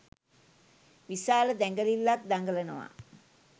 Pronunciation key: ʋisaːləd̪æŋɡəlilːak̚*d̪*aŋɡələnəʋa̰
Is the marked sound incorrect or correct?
correct